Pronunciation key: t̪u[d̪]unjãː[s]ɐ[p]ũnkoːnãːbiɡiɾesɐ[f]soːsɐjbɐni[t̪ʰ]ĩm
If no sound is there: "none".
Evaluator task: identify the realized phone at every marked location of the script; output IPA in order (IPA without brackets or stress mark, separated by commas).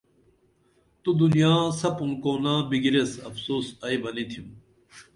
d̪, s, p, f, t̪ʰ